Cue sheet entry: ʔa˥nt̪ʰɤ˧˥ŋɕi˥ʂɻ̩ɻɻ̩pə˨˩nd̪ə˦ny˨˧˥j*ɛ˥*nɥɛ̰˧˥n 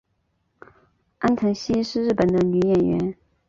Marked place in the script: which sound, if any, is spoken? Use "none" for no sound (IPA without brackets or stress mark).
ɛ˨˩